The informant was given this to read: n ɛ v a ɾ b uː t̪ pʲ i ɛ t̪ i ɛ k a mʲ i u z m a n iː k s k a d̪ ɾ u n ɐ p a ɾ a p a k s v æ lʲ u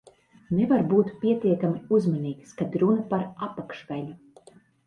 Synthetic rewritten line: n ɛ v a ɾ b uː t̪ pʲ i ɛ t̪ i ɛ k a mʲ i u z m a n iː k s k a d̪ ɾ u n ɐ p a ɾ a p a k ʃ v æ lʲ u